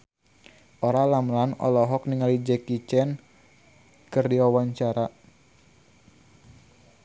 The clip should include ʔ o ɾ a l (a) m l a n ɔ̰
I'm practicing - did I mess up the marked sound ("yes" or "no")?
no